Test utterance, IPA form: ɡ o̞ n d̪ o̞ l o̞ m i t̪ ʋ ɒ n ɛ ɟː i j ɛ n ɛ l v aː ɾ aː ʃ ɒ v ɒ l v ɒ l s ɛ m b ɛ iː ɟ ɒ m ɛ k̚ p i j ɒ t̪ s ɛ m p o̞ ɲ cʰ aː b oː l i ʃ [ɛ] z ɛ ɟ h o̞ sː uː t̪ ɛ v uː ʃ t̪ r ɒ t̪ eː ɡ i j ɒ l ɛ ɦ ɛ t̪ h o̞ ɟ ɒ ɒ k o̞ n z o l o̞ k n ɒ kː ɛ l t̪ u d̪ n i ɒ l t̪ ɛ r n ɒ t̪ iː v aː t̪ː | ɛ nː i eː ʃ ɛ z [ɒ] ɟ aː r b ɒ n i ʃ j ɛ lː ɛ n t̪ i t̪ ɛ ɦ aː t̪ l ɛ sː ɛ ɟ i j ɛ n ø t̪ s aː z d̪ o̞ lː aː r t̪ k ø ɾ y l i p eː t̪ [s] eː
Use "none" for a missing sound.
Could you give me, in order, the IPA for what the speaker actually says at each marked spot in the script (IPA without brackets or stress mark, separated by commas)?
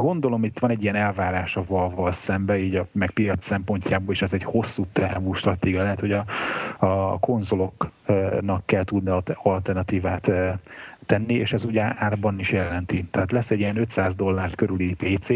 ɛ, u, s